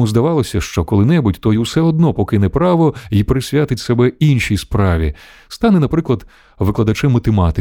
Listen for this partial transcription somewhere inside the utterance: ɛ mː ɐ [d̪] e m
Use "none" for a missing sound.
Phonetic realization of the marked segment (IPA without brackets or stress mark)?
t̪